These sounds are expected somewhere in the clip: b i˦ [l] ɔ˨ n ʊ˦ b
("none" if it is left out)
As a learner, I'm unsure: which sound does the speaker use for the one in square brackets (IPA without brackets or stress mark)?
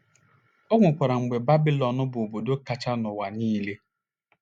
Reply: l